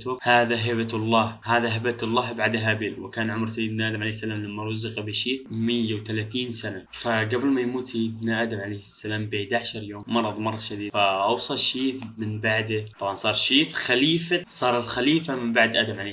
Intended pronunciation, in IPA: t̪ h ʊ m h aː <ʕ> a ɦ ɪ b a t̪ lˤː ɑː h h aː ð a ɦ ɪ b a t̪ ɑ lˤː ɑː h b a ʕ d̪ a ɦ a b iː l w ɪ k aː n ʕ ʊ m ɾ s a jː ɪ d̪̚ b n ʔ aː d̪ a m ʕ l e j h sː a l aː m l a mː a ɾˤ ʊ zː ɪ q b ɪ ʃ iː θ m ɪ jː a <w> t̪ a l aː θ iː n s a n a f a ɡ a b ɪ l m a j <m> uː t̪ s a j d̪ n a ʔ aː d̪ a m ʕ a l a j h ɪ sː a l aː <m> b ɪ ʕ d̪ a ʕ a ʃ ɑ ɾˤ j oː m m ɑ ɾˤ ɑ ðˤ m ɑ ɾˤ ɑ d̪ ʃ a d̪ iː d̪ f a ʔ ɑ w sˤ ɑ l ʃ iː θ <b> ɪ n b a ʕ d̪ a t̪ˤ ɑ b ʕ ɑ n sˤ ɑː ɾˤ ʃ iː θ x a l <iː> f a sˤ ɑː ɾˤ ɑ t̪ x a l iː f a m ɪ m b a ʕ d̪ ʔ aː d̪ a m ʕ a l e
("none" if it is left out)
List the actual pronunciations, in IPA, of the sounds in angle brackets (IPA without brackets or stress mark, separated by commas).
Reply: ð, w, m, m, m, iː